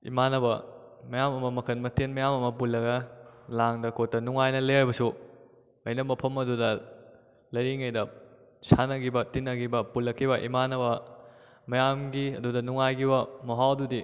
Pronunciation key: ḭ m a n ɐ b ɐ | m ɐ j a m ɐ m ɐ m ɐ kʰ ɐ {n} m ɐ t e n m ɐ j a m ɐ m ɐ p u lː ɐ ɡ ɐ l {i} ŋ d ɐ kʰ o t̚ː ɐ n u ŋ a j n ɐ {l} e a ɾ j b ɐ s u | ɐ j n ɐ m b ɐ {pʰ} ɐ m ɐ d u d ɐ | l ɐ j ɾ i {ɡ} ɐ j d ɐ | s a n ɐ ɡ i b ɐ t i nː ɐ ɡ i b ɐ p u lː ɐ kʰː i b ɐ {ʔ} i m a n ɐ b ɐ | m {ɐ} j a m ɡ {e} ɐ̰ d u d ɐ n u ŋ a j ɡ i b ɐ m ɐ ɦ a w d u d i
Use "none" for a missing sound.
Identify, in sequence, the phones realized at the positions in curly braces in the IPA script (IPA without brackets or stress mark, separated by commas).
n, a, l, pʰ, ŋ, ʔ, ɐ, i